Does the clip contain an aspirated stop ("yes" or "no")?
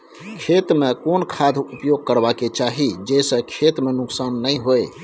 yes